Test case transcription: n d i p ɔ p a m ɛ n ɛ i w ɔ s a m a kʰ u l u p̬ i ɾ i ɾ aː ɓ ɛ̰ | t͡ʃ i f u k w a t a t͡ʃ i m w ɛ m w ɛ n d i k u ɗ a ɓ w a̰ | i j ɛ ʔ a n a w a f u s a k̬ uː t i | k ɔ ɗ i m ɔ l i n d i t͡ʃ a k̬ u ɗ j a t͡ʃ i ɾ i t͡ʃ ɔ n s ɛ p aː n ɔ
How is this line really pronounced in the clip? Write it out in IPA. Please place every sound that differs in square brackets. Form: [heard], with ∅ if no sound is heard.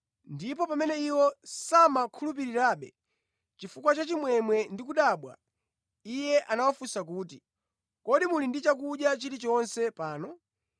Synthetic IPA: n d i p ɔ p a m ɛ n ɛ i w ɔ s a m a kʰ u l u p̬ i ɾ i ɾ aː ɓ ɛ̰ | t͡ʃ i f u k w a [t͡ʃ] a t͡ʃ i m w ɛ m w ɛ n d i k u ɗ a ɓ w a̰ | i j ɛ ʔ a n a w a f u s a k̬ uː t i | k ɔ ɗ i m [u] l i n d i t͡ʃ a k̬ u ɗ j a t͡ʃ i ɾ i t͡ʃ ɔ n s ɛ p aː n ɔ

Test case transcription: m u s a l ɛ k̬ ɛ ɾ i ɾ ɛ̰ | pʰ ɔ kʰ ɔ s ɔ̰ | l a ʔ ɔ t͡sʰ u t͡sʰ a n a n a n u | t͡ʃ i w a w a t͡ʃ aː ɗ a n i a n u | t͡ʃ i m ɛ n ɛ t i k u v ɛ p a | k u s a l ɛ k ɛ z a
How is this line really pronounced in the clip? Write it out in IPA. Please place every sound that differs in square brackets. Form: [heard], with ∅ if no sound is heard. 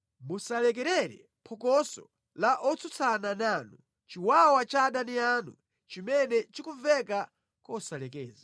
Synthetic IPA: m u s a l ɛ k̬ ɛ ɾ [ɛ] ɾ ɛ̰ | pʰ ɔ [k] ɔ s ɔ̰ | l a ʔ ɔ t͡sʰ u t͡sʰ a n a n a n u | t͡ʃ i w a w a t͡ʃ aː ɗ a n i a n u | t͡ʃ i m ɛ n ɛ [t͡ʃ] i k u v ɛ [k] a | k [ɔ] s a l ɛ k [ɛː] z a

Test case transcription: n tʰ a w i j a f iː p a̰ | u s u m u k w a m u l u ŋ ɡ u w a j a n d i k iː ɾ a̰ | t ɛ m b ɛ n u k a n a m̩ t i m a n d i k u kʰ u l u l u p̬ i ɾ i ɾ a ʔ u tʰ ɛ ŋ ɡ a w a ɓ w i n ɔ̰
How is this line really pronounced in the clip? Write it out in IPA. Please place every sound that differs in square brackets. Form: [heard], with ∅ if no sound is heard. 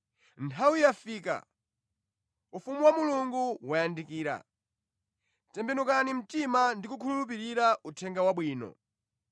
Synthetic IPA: n tʰ a w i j a f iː [k] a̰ | u [f] u m u [∅] w a m u l u ŋ ɡ u w a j a n d i k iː ɾ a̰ | t ɛ m b ɛ n u k a n [i] m̩ t i m a n d i k u kʰ u l u l u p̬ i ɾ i ɾ a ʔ u tʰ ɛ ŋ ɡ a w a ɓ w [iː] n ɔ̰

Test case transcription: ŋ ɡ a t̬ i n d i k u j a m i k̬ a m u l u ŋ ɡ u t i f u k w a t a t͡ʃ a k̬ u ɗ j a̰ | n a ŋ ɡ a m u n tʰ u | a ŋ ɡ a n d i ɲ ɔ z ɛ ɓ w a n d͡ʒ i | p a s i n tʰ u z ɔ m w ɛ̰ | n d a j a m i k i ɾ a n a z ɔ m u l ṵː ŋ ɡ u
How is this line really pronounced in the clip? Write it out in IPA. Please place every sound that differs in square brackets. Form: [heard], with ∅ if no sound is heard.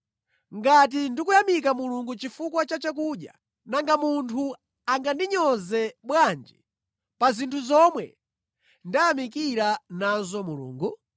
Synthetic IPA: ŋ ɡ a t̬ i n d i k u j a m i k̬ a m u l u ŋ ɡ u [t͡ʃ] i f u k w a [t͡ʃ] a t͡ʃ a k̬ u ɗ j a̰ | n a ŋ ɡ a m u n tʰ u | a ŋ ɡ a n d i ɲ ɔ z ɛ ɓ w a n d͡ʒ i | p a [z] i n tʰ u z ɔ m w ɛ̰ | n d a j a m i k i ɾ a n a z ɔ m u l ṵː ŋ ɡ u

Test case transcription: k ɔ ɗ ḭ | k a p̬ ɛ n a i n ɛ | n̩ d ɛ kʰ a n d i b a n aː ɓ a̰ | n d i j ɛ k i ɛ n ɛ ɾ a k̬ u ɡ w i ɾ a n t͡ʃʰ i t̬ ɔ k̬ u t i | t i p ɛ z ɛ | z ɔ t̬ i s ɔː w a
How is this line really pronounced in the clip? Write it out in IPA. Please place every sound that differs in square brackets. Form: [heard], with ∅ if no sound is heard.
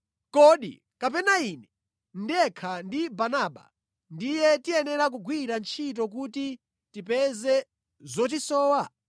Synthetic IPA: k ɔ ɗ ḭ | k a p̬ ɛ n a i n ɛ | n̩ d ɛ kʰ a n d i b a n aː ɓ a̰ | n d i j ɛ [t] i ɛ n ɛ ɾ a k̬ u ɡ w i ɾ a n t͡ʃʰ i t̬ ɔ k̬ u t i | t i p ɛ z ɛ | z ɔ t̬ i s ɔː w a

